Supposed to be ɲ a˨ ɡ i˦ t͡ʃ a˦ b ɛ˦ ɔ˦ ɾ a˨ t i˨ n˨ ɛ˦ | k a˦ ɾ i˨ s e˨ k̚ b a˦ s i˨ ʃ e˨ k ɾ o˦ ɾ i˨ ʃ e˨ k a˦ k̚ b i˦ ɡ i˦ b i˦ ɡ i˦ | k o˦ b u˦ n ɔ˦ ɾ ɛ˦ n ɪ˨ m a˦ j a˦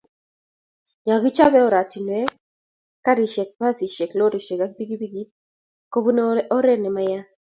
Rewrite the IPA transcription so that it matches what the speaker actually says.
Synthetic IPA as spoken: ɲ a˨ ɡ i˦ t͡ʃ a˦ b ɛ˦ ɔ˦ ɾ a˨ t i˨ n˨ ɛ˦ | k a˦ ɾ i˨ ʃ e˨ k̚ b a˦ s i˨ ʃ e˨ k l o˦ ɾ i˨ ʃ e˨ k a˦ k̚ b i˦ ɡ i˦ b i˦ ɡ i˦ | k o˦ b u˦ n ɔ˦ ɾ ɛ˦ n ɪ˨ m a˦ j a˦